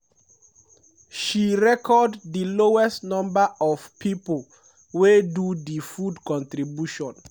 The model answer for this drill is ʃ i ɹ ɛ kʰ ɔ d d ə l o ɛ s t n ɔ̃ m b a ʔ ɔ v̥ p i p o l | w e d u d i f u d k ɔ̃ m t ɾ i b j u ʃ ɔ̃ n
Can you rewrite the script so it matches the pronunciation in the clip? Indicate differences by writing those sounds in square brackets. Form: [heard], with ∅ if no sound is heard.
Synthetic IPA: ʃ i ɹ ɛ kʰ ɔ d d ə l o ɛ s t n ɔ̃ m b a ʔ ɔ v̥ p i p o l | w e d u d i f u d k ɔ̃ [n] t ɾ i b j u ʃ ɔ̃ n

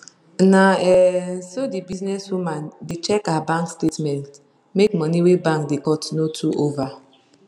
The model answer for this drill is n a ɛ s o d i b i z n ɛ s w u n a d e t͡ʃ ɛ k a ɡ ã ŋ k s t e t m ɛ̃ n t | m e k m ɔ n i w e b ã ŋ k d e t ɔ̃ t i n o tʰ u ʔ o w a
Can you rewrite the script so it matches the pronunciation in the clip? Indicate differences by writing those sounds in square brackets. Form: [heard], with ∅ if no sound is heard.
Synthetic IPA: n a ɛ s o d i b i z n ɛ s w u [m] a d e t͡ʃ ɛ k a [b] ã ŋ k s t e t m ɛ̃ n t | m e k m ɔ n i w e b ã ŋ k d e [k] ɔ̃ t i n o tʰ u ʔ o [v] a

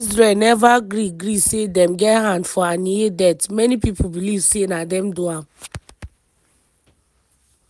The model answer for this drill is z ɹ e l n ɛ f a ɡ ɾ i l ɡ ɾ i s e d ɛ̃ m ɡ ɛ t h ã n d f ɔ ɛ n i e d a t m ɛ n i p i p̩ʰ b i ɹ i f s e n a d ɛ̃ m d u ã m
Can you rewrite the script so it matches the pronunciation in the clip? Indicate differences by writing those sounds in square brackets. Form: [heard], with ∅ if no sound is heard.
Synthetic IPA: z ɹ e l n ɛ [v] a ɡ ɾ i [∅] ɡ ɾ i s e d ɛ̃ m ɡ ɛ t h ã n d f ɔ [a] n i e d [ɛ] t m ɛ n i p i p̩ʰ b i [l] i [v] s e n a d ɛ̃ m d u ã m

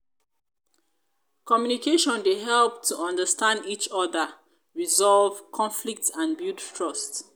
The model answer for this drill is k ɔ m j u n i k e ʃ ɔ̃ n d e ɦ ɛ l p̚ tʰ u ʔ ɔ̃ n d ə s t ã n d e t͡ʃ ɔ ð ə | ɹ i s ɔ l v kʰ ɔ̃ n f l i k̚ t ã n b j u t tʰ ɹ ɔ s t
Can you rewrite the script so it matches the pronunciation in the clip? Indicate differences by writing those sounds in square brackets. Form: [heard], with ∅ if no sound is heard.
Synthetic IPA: k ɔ m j u n i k e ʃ ɔ̃ n d e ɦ ɛ l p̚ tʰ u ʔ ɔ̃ n d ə s t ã n d [i] t͡ʃ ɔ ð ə | ɹ i [z] ɔ l v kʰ ɔ̃ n f l i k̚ t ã n b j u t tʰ ɹ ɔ s t

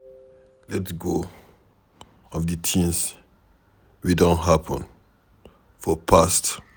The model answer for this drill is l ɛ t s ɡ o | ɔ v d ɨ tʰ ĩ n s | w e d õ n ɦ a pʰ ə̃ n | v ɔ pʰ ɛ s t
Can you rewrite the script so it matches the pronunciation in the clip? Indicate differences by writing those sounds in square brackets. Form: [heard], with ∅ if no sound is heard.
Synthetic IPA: l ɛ t s ɡ o | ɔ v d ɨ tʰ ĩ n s | w [i] d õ n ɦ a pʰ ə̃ n | [f] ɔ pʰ [a] s t

